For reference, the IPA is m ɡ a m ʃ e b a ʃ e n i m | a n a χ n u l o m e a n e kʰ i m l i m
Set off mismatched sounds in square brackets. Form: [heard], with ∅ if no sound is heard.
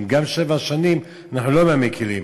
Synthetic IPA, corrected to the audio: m ɡ a m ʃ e [v] a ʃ [a] n i m | a n a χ n u l o m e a [m] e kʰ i [∅] l i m